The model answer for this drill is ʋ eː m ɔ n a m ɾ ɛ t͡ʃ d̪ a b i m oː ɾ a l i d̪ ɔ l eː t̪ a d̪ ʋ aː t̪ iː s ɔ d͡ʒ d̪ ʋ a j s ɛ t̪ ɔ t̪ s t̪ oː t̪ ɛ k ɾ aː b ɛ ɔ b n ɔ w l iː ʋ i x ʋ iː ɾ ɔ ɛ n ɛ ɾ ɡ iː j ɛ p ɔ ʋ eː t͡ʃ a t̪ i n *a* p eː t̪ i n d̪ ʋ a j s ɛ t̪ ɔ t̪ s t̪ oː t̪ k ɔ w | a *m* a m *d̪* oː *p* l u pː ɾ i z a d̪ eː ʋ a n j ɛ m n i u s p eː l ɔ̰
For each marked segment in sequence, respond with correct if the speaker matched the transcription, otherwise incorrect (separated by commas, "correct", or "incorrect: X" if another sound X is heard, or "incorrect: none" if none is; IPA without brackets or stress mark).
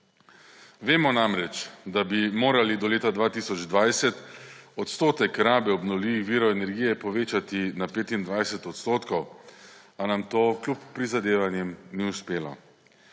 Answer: correct, incorrect: n, incorrect: t̪, incorrect: k